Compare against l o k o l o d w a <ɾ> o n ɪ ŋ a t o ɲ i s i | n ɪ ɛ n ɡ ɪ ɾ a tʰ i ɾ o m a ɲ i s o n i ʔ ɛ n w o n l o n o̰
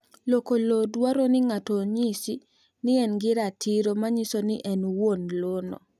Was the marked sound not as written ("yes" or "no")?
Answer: no